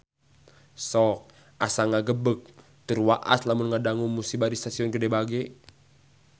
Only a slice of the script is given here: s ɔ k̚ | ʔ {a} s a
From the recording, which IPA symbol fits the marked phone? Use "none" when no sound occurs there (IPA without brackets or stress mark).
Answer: a